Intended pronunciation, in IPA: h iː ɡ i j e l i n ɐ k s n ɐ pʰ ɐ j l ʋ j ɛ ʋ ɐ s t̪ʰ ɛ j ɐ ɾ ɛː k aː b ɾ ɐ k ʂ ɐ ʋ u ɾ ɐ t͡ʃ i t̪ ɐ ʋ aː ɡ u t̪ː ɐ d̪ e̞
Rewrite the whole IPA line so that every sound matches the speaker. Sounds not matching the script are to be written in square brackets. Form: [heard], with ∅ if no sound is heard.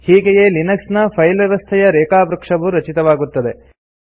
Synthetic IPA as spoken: h iː ɡ [e] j e l i n ɐ k s n ɐ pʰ ɐ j l ʋ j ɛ ʋ ɐ s t̪ʰ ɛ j ɐ ɾ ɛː k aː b ɾ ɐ k ʂ ɐ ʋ u ɾ ɐ t͡ʃ i t̪ ɐ ʋ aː ɡ u t̪ː ɐ d̪ e̞